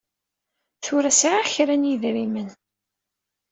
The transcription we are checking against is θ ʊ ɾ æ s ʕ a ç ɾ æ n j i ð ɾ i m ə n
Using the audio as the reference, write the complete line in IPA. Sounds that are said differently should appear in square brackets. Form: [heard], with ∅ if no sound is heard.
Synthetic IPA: θ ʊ ɾ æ s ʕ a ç ɾ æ n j i ð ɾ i m ə n